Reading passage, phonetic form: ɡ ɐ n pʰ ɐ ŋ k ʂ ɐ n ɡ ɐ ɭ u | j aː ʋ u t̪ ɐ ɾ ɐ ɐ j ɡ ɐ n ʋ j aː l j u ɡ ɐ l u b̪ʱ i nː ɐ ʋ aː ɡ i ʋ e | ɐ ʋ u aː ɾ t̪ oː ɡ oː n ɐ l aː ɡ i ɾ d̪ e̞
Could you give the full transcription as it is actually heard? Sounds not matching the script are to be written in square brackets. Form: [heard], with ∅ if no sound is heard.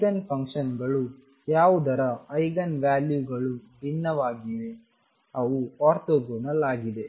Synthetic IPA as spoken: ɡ ɐ n pʰ ɐ ŋ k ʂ ɐ n ɡ ɐ ɭ u | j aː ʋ u [d̪] ɐ ɾ ɐ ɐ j ɡ ɐ n ʋ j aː l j u ɡ ɐ [ɭ] u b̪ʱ i nː ɐ ʋ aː ɡ i ʋ e | ɐ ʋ u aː ɾ t̪ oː ɡ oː n ɐ l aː ɡ i [∅] d̪ e̞